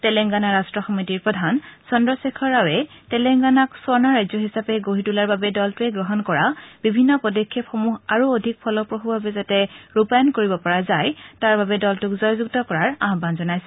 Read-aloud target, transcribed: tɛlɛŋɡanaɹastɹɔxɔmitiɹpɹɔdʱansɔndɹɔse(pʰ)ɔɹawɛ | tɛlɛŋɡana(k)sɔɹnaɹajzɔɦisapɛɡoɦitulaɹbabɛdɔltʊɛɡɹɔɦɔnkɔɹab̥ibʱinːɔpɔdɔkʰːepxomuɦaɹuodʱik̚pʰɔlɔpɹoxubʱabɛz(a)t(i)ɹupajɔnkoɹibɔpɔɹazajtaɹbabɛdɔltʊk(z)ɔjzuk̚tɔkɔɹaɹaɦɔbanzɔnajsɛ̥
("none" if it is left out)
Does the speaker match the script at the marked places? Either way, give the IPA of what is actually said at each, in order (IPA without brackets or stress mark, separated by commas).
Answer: kʰ, k, a, ɛ, z